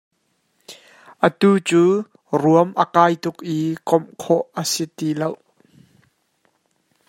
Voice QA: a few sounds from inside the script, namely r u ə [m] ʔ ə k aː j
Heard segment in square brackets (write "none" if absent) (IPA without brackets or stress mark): m